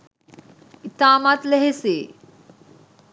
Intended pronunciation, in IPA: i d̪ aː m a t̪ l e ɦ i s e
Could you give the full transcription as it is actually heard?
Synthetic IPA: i t̪ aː m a t̪ l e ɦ e s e